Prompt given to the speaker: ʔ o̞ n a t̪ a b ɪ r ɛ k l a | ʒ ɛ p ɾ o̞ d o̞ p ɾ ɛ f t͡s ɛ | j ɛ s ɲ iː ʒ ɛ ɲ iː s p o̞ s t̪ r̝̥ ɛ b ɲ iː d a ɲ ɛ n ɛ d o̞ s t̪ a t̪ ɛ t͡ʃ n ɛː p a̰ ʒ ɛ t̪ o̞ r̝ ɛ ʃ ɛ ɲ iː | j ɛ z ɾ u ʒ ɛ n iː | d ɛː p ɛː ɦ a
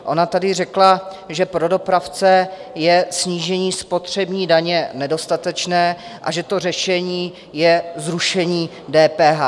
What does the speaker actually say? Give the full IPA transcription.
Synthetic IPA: ʔ o̞ n a t̪ a d ɪ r ɛ k l a | ʒ ɛ p ɾ o̞ d o̞ p ɾ a f t͡s ɛ | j ɛ s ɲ iː ʒ ɛ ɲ iː s p o̞ t̪ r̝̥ ɛ b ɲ iː d a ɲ ɛ n ɛ d o̞ s t̪ a t̪ ɛ t͡ʃ n ɛː ʔ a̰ ʒ ɛ t̪ o̞ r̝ ɛ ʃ ɛ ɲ iː | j ɛ z ɾ u ʃ ɛ ɲ iː | d ɛː p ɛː ɦ a